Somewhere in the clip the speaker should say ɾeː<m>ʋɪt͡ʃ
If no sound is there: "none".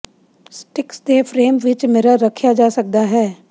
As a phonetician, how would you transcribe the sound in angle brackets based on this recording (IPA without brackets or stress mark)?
m